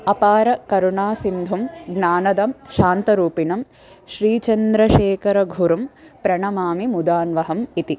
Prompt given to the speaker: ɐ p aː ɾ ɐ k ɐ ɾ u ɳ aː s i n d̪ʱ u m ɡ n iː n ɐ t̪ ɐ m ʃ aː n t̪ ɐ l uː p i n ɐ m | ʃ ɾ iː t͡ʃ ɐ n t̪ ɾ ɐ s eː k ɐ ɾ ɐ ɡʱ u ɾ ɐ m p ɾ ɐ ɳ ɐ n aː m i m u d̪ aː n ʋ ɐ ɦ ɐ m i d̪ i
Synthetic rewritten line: ɐ p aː ɾ ɐ k ɐ ɾ u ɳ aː s i n d̪ʱ u m ɡ n aː n ɐ d̪ ɐ m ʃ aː n t̪ ɐ ɾ uː p i n ɐ m | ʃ ɾ iː t͡ʃ ɐ n d̪ ɾ ɐ ʃ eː k ɐ ɾ ɐ ɡʱ u ɾ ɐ m p ɾ ɐ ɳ ɐ m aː m i m u d̪ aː n ʋ ɐ ɦ ɐ m i t̪ i